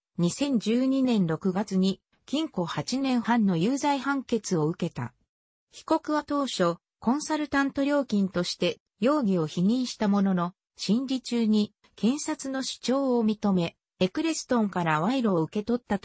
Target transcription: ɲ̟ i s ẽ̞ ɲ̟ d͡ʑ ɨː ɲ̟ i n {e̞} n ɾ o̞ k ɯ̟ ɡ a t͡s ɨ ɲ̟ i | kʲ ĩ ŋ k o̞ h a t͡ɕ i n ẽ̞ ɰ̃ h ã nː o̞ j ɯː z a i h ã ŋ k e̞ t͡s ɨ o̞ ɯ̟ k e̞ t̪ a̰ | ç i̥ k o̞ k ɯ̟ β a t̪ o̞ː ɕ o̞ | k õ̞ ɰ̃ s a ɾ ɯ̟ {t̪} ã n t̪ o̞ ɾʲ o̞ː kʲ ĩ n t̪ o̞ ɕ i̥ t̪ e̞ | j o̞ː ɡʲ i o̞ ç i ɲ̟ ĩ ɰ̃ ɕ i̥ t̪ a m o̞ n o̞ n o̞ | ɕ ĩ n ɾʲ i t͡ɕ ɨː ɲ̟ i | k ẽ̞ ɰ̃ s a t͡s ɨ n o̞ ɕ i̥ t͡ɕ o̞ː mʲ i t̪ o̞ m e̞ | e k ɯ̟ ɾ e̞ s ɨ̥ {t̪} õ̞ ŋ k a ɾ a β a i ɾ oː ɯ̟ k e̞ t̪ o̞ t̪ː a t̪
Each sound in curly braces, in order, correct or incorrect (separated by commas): incorrect, correct, correct